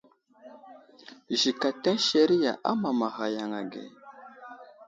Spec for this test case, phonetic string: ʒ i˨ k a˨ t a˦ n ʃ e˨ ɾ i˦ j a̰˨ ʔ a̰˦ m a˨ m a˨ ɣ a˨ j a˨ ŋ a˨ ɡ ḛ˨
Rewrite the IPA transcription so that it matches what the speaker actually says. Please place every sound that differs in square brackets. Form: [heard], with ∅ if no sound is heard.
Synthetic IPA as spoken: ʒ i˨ k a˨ t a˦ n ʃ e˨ ɾ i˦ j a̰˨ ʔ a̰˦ m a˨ m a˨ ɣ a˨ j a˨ ŋ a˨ ɡ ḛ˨